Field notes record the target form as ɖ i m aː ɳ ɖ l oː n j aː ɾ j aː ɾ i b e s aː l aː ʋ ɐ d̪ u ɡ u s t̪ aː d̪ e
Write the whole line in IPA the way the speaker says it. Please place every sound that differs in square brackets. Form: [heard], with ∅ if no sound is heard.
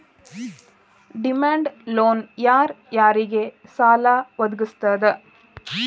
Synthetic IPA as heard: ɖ i m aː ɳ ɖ l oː n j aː ɾ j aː ɾ i [ɡ] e s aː l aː ʋ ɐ d̪ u ɡ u s t̪ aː d̪ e